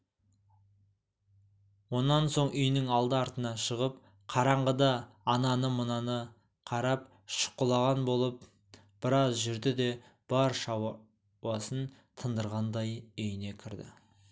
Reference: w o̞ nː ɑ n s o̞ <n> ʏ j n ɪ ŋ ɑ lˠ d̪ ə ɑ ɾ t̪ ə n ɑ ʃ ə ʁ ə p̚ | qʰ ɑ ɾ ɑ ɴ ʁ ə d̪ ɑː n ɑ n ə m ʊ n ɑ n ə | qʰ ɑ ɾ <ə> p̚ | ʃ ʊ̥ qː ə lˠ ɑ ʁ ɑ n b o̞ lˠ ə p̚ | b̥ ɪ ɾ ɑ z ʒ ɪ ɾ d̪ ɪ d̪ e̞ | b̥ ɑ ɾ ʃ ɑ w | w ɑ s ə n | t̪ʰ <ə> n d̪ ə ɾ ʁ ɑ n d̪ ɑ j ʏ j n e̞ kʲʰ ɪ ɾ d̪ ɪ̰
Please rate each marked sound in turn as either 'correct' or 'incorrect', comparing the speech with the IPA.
incorrect: ɴ, incorrect: ɑ, correct

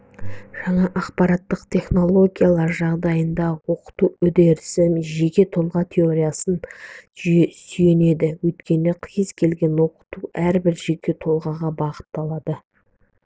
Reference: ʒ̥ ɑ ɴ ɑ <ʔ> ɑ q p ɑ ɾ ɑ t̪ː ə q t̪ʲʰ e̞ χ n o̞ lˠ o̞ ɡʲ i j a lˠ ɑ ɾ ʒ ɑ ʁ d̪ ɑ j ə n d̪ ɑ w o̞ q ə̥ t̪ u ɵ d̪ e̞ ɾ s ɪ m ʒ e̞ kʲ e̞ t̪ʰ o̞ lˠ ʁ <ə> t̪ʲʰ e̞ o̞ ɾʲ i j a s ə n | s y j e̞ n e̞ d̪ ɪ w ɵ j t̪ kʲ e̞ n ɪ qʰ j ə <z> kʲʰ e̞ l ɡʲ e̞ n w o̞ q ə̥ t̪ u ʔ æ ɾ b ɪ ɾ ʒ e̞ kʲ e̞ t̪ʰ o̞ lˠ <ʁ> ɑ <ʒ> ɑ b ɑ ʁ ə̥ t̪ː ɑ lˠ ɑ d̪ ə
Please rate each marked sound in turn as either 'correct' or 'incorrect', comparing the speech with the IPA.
correct, incorrect: ɑ, correct, correct, incorrect: ʁ

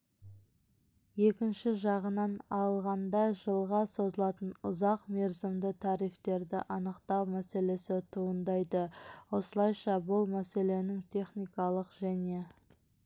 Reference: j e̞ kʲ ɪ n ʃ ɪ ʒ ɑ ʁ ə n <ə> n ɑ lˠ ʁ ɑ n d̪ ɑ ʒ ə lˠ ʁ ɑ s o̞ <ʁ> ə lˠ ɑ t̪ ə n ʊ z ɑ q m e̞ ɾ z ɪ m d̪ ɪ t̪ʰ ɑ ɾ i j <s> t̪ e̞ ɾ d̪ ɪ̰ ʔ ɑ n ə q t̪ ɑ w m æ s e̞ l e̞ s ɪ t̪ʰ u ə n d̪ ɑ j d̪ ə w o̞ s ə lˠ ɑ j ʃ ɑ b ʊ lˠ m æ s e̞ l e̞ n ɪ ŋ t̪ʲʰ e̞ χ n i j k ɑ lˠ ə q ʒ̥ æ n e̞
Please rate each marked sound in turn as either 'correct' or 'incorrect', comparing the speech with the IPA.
incorrect: ɑ, incorrect: z, incorrect: f

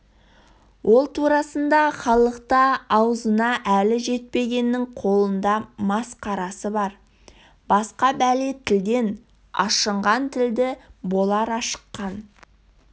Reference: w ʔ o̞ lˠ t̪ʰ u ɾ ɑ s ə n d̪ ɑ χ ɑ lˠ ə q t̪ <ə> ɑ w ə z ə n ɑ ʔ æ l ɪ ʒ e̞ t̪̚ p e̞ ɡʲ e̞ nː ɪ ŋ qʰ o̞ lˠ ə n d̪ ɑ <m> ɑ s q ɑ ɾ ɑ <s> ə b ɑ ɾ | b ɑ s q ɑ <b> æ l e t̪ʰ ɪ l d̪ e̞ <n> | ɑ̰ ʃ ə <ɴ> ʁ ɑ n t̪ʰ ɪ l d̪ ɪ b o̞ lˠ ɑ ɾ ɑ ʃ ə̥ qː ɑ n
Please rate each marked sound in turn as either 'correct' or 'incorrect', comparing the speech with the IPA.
incorrect: ɑ, correct, correct, correct, correct, correct

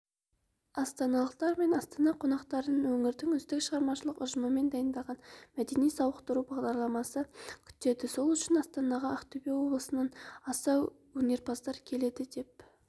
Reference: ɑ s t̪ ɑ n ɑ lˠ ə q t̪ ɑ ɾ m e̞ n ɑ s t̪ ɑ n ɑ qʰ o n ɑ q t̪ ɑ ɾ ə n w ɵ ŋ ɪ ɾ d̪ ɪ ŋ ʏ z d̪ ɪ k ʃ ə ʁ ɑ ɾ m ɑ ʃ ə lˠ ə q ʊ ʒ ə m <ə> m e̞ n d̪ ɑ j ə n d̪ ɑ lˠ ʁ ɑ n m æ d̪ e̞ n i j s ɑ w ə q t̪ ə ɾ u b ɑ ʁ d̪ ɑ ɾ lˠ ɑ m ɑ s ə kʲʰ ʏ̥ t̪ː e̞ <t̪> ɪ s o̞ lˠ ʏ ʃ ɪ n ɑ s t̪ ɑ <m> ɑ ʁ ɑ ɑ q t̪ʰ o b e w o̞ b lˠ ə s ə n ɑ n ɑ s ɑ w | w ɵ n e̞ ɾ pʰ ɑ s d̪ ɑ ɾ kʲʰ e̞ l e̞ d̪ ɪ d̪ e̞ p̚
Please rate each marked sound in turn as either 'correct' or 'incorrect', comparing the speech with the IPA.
correct, incorrect: d̪, incorrect: n

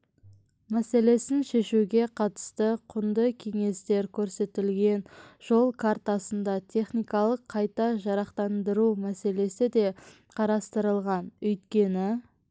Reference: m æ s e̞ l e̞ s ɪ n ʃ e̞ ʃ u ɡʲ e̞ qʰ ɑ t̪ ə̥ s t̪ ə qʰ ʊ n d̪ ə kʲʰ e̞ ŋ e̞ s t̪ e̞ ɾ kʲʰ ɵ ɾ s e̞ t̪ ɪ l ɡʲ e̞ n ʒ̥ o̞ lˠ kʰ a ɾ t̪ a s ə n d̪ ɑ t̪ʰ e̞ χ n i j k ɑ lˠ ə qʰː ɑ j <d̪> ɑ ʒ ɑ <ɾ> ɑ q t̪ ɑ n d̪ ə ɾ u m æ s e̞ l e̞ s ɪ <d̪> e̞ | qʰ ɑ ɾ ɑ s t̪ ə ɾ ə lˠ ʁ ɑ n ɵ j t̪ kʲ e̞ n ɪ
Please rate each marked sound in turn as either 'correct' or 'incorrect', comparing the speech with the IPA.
incorrect: t̪, correct, correct

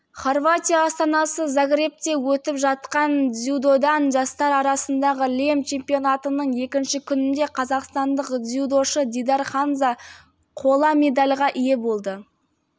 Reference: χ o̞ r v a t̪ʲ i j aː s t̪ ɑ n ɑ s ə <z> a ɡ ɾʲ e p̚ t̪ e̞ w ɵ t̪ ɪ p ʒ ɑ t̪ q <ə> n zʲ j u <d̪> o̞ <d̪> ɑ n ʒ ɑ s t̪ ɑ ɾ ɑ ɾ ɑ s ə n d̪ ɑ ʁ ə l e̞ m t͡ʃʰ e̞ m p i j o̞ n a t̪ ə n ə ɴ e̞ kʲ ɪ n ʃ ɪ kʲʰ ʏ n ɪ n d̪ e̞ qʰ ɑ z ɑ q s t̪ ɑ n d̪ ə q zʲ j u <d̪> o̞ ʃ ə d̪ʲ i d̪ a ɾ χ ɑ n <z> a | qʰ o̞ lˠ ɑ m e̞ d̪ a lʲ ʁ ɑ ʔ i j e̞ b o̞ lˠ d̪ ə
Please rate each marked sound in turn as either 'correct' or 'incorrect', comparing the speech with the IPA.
correct, incorrect: ɑ, correct, correct, correct, correct

